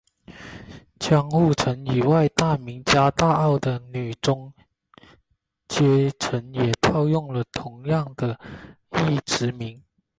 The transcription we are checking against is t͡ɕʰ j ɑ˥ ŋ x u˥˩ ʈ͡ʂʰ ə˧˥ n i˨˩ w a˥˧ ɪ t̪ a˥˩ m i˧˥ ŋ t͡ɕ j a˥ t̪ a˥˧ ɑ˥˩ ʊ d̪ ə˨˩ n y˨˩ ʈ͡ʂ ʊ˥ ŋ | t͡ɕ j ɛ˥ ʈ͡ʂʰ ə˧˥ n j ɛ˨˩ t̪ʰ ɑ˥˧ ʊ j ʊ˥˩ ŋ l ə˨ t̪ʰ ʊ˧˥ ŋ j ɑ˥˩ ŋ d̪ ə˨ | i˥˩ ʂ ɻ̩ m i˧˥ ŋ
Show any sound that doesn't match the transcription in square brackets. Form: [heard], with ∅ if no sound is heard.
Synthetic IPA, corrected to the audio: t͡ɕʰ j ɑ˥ ŋ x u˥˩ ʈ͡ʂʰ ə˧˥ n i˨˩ w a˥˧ ɪ t̪ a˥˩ m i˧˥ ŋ t͡ɕ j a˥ t̪ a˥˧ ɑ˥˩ ʊ d̪ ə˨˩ n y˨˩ ʈ͡ʂ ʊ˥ ŋ | t͡ɕ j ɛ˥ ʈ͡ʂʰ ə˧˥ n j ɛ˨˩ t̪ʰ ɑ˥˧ ʊ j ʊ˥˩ ŋ l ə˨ t̪ʰ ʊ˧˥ ŋ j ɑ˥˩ ŋ d̪ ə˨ | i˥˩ [ʈ͡ʂ] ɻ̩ m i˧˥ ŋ